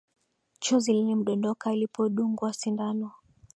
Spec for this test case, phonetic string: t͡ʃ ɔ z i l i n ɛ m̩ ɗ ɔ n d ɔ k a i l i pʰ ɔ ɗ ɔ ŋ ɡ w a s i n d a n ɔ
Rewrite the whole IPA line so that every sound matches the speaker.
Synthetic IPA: t͡ʃ ɔ z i l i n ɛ m̩ ɗ ɔ n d ɔ k a i l i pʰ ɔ ɗ u ŋ ɡ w a s i n d a n ɔ